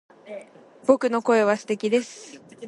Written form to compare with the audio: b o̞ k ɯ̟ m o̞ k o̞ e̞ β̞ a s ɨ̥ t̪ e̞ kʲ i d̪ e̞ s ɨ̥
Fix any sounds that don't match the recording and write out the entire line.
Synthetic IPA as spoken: b o̞ k ɯ̟ n o̞ k o̞ e̞ β̞ a s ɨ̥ t̪ e̞ kʲ i d̪ e̞ s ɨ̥